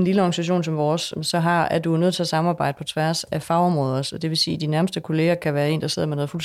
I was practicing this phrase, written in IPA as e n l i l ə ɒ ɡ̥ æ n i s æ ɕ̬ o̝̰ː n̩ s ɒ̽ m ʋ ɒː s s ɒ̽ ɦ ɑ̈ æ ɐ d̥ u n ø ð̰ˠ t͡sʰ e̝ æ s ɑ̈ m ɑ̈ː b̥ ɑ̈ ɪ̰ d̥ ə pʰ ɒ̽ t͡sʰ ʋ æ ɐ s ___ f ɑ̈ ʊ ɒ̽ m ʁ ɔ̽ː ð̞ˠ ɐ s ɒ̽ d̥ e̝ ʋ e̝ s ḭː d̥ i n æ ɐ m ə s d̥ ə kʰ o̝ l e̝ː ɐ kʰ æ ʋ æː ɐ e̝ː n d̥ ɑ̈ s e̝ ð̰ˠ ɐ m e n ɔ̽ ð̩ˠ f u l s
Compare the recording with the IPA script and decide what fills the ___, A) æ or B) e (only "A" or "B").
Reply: A